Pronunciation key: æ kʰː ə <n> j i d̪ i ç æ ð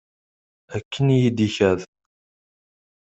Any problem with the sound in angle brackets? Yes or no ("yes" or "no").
no